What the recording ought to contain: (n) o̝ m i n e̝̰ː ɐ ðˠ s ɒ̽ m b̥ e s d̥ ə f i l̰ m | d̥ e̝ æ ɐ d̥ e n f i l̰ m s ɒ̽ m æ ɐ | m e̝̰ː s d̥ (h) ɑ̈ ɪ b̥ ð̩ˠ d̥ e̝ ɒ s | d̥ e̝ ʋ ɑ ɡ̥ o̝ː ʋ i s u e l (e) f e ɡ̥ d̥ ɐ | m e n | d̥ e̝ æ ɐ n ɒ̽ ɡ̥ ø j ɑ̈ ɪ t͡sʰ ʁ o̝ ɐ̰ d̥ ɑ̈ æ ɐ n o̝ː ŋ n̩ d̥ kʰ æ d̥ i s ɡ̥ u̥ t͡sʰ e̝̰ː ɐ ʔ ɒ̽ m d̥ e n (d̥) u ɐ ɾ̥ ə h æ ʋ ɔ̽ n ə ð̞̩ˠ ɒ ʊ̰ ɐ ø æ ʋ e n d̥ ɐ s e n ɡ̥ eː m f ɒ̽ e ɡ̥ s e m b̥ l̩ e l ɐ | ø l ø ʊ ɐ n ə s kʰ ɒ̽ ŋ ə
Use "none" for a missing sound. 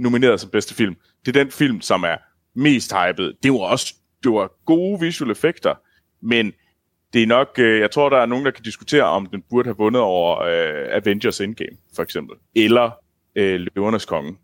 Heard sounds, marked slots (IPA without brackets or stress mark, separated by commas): n, h, e, b̥